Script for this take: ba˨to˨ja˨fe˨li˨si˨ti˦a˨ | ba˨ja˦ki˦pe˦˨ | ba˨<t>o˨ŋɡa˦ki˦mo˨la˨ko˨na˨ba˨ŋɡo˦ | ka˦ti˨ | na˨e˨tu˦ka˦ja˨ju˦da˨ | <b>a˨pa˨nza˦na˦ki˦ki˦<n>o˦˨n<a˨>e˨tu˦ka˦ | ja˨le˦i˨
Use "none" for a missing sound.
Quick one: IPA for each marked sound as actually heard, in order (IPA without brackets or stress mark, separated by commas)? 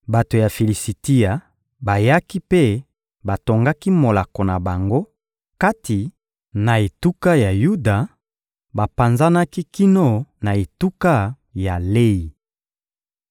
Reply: t, b, n, a˨